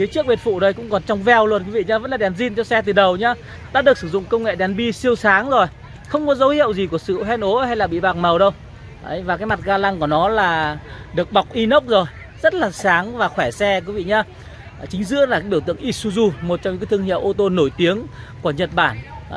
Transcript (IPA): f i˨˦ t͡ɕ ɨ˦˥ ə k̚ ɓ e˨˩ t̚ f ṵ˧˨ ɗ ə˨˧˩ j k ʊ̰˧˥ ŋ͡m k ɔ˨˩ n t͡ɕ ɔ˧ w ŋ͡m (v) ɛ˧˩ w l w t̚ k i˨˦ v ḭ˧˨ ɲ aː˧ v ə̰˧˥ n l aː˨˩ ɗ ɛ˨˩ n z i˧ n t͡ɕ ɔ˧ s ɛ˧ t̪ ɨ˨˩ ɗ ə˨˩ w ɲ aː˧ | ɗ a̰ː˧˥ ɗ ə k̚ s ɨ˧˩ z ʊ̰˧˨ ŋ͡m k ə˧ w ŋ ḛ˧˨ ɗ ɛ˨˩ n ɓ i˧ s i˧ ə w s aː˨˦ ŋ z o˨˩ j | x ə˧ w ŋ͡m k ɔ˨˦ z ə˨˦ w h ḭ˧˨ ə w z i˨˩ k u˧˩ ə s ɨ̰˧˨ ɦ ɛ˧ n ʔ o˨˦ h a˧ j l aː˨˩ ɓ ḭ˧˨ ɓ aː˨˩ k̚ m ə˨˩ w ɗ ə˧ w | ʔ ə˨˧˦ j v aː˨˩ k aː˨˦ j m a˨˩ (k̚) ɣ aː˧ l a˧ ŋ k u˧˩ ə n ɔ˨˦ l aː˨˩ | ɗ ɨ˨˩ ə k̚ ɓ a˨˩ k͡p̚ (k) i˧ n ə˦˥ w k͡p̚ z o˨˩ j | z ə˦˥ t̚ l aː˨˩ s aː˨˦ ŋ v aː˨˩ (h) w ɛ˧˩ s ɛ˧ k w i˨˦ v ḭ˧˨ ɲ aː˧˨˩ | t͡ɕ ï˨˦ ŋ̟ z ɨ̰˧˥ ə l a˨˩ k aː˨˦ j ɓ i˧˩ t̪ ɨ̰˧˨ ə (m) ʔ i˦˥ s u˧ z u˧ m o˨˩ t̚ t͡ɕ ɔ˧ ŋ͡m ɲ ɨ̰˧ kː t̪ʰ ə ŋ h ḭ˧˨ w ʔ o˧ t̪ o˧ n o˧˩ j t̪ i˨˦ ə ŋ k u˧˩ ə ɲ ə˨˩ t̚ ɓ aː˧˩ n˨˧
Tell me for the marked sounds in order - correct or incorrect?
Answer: correct, incorrect, incorrect, incorrect, incorrect

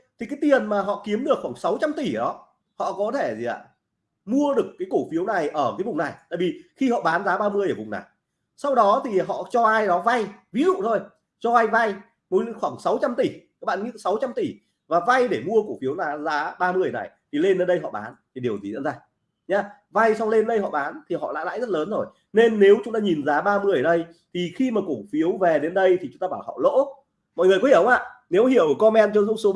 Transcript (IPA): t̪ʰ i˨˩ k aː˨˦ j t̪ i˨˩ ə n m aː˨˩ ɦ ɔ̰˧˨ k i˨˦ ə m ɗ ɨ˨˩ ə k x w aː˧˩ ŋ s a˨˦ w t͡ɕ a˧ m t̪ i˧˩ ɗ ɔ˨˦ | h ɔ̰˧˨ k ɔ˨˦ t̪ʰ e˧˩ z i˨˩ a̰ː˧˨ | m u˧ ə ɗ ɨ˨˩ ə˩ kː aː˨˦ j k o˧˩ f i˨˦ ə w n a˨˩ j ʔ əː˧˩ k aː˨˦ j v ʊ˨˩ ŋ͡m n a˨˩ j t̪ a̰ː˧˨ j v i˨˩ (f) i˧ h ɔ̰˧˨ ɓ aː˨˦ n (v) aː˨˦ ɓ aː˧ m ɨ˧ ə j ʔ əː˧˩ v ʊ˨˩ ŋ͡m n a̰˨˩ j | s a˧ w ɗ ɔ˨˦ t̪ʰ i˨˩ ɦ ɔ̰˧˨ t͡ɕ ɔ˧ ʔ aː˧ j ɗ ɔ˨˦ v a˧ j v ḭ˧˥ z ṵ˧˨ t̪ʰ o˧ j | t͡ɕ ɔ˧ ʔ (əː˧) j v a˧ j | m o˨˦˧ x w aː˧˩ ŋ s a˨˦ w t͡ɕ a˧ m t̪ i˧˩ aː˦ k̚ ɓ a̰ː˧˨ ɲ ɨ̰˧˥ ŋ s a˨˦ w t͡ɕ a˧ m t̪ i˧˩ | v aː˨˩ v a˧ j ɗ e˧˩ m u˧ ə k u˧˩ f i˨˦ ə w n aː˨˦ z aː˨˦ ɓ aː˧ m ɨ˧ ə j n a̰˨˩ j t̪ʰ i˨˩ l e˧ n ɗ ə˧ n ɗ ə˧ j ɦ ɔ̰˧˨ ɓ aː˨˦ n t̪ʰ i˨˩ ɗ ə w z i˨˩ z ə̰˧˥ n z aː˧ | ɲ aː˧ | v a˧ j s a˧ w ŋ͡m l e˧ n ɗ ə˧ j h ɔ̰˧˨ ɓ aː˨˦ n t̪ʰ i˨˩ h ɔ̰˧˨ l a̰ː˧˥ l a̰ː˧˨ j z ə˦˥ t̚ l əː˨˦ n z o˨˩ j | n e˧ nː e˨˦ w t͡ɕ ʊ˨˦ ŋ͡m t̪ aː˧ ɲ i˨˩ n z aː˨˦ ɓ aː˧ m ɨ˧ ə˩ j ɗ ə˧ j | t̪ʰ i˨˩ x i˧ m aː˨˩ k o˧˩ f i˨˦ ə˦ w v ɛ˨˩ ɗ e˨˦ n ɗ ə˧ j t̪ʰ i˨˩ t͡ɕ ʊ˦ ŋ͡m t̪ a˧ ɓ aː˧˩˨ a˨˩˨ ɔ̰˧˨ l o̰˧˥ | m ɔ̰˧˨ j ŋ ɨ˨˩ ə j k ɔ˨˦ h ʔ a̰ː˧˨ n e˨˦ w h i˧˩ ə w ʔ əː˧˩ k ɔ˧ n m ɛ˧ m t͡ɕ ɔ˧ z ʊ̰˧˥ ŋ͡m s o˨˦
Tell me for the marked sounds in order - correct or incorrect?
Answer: incorrect, incorrect, incorrect

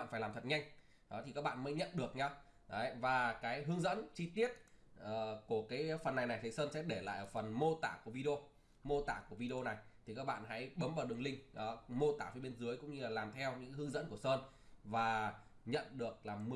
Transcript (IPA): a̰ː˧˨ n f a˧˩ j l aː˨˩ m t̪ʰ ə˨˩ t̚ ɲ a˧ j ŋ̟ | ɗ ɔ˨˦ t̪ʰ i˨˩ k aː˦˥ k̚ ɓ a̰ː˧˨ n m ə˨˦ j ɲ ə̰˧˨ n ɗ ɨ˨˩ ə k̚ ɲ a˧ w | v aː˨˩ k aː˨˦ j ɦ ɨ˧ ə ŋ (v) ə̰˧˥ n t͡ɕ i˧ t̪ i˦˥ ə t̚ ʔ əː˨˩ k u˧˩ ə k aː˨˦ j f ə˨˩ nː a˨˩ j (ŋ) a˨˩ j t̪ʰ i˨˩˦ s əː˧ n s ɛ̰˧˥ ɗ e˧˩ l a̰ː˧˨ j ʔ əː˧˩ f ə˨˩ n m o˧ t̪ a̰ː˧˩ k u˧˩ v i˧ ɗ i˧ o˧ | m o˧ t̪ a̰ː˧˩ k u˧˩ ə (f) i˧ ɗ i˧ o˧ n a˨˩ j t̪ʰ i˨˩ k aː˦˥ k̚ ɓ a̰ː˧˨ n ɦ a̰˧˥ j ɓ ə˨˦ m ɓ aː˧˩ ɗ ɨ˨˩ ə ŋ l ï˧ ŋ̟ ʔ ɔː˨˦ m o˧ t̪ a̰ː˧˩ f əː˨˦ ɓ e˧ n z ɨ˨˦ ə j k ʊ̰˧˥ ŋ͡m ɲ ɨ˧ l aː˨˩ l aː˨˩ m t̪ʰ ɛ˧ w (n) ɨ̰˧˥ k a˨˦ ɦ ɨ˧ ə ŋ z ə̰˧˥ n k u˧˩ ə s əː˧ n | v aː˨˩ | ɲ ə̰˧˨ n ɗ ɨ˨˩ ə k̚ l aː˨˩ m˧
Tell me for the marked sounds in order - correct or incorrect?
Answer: incorrect, incorrect, incorrect, incorrect

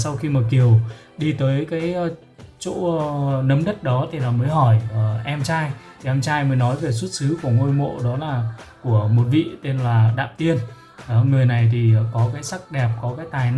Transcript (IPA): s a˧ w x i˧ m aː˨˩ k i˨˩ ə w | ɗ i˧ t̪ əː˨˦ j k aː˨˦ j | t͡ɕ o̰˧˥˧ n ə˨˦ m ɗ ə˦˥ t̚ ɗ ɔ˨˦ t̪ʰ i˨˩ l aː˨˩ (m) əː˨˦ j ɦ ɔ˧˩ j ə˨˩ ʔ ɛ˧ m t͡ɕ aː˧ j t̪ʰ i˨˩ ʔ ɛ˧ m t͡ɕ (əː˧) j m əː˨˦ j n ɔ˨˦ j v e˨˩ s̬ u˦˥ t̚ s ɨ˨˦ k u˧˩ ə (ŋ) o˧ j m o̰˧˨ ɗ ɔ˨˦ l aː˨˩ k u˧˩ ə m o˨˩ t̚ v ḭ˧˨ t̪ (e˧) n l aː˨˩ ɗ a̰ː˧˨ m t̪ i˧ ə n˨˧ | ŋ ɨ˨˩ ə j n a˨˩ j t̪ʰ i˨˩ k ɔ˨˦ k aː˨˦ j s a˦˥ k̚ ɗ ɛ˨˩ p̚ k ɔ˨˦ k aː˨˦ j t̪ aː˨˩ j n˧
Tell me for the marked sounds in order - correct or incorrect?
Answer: correct, incorrect, correct, correct

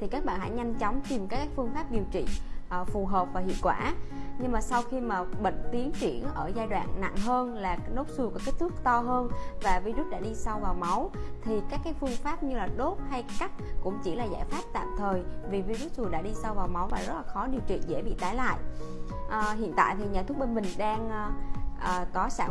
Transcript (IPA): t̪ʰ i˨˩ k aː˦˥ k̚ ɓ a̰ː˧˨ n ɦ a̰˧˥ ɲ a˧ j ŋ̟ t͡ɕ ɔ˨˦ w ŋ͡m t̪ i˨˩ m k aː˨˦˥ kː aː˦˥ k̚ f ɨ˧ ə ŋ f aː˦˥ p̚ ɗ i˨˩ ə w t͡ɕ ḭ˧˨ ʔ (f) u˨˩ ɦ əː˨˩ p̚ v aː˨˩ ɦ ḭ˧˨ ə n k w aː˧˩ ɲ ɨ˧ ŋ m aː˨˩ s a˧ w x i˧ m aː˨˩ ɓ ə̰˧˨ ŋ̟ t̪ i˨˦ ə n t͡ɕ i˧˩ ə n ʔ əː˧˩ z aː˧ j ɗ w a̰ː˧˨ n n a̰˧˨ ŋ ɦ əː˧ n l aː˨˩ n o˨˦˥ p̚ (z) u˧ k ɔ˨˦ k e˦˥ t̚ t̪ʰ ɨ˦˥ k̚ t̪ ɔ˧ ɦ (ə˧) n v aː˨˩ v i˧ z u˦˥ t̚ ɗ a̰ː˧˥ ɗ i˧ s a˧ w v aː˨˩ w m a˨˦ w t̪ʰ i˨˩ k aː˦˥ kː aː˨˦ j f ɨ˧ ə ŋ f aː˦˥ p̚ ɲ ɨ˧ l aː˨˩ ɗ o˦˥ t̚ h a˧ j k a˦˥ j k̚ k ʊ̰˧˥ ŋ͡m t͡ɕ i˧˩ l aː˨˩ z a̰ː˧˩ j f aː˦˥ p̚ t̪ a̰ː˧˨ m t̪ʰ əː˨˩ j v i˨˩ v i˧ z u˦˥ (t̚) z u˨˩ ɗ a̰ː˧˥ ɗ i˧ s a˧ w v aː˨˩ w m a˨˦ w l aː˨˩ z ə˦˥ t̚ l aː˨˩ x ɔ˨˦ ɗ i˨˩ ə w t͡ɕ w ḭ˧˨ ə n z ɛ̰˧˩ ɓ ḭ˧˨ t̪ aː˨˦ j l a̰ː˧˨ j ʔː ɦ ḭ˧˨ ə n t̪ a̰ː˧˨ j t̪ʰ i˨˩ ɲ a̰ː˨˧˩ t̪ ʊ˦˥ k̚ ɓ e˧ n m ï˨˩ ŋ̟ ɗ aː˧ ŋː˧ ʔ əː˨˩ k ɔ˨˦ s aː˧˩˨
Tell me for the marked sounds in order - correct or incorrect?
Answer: correct, incorrect, incorrect, correct

